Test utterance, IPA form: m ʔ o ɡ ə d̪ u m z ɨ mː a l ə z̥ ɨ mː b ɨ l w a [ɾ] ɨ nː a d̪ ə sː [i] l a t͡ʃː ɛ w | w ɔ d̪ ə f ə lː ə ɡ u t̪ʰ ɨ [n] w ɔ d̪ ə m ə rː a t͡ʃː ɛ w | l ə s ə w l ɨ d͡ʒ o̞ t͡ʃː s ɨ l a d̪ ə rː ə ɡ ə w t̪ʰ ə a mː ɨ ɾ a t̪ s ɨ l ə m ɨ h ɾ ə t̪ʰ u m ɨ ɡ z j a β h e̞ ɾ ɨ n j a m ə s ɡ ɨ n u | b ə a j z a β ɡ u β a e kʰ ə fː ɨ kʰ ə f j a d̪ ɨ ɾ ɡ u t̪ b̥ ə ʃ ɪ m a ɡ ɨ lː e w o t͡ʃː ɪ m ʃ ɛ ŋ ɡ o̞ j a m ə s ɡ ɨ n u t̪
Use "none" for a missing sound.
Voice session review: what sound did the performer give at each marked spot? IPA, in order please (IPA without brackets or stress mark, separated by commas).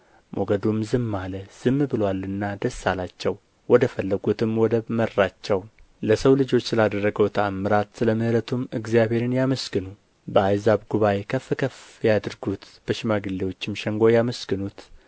l, a, m